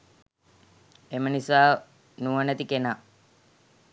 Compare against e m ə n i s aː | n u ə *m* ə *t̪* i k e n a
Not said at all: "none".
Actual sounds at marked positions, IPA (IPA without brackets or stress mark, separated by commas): n, t̪